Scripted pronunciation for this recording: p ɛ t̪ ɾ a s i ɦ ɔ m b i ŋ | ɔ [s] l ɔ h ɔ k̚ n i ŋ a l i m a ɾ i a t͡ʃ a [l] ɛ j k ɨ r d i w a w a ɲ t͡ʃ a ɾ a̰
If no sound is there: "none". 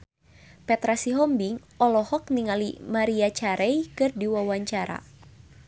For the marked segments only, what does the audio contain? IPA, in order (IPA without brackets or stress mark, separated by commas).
none, ɾ